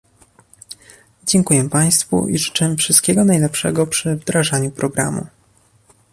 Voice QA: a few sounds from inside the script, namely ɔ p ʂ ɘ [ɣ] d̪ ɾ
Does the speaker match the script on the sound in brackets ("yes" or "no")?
no